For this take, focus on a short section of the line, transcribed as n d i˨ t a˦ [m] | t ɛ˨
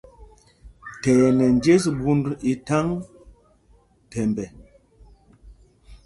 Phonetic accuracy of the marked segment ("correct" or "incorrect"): incorrect